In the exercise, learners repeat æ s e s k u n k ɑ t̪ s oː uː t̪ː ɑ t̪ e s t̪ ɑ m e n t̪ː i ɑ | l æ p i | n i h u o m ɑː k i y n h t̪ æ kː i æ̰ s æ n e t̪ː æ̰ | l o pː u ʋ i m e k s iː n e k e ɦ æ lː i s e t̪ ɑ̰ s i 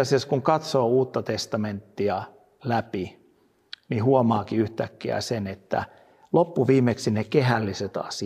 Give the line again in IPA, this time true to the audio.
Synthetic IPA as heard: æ s e s k u ŋ k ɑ t̪ s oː uː t̪ː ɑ t̪ e s t̪ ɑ m e n t̪ː i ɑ | l æ p i | n i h u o m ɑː k i y h t̪ æ kː i æ̰ s e n e t̪ː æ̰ | l o pː u ʋ iː m e k s i n e k e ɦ æ lː i s e t̪ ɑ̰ s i